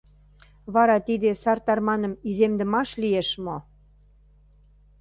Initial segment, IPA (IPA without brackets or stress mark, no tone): β